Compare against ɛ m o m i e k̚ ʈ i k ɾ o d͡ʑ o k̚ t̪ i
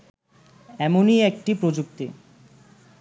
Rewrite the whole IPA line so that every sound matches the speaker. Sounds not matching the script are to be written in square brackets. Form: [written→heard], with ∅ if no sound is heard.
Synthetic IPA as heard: ɛ m o [m→n] i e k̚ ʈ i [k→p] ɾ o d͡ʑ [o→u] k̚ t̪ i